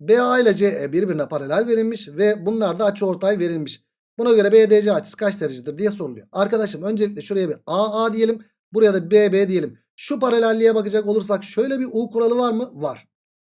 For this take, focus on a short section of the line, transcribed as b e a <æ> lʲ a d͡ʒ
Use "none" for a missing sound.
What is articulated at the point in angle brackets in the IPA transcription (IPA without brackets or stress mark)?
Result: i